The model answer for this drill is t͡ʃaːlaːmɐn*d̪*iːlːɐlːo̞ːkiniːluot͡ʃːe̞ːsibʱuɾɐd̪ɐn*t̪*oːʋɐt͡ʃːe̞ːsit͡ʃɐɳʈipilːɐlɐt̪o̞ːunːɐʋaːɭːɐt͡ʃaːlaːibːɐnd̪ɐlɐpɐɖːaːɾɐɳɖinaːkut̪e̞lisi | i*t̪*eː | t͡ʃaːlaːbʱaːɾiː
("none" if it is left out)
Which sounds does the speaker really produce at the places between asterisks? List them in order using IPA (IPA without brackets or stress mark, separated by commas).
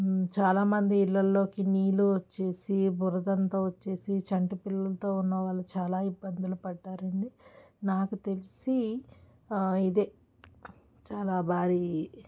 d̪, t̪, d̪